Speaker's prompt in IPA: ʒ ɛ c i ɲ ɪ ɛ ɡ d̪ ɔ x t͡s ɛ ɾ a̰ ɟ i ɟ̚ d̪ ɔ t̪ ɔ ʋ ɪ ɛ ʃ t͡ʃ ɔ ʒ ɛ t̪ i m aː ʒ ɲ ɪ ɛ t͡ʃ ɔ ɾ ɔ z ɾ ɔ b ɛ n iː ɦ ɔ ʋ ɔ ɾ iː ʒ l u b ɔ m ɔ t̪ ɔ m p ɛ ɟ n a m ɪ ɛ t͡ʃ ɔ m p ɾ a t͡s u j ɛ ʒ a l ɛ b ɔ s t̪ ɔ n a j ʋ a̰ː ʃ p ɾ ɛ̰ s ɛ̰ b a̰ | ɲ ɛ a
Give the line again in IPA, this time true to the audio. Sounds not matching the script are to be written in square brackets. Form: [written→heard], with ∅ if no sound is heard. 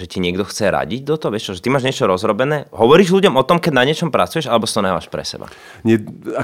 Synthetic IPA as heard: ʒ ɛ c i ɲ ɪ ɛ ɡ d̪ ɔ x t͡s ɛ ɾ a̰ ɟ i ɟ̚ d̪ ɔ t̪ ɔ ʋ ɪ ɛ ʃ t͡ʃ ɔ ʒ ɛ t̪ i m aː ʒ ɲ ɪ ɛ t͡ʃ ɔ ɾ ɔ z ɾ ɔ b ɛ n [iː→ɛː] ɦ ɔ ʋ ɔ ɾ iː ʒ l u [b→ɟ] ɔ m ɔ t̪ ɔ m [p→k] ɛ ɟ n a [m→ɲ] ɪ ɛ t͡ʃ ɔ m p ɾ a t͡s u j ɛ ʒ a l ɛ b ɔ s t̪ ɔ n a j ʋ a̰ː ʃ p ɾ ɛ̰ s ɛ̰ b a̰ | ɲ ɛ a